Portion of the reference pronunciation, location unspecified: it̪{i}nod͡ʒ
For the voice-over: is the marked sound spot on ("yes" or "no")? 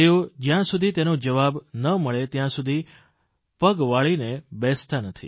no